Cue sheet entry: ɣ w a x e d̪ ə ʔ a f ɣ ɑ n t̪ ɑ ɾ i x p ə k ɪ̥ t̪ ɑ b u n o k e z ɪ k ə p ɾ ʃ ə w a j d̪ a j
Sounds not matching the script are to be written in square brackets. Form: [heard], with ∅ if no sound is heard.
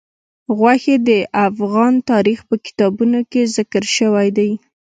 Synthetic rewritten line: ɣ w a x e d̪ ə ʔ a f ɣ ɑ n t̪ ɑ ɾ i x p ə k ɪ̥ t̪ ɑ b u n o k e z ɪ k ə [∅] ɾ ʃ ə w a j d̪ a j